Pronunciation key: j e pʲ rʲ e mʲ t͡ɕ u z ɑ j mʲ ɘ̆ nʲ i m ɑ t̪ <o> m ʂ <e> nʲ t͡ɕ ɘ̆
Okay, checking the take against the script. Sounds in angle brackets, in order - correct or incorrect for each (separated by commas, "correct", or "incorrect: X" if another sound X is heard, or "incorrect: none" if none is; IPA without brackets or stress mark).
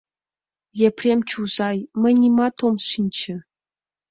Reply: correct, incorrect: i